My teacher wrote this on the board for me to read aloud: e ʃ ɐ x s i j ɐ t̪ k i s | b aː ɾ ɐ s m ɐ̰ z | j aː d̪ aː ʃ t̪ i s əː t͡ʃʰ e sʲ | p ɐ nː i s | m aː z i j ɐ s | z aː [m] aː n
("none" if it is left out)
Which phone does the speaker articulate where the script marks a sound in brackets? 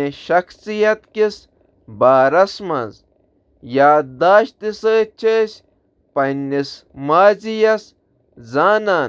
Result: n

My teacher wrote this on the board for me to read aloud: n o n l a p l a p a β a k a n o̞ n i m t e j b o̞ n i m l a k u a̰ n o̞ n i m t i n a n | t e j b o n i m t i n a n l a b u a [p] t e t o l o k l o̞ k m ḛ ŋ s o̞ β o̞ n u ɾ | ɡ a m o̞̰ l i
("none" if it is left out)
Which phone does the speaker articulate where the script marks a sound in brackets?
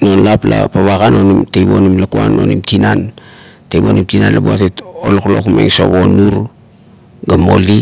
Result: none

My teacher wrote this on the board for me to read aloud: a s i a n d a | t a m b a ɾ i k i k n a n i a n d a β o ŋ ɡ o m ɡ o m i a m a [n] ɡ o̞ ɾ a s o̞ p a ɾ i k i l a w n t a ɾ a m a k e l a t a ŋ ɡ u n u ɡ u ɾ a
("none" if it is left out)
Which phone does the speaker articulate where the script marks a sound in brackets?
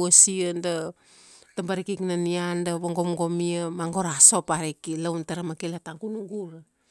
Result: ŋ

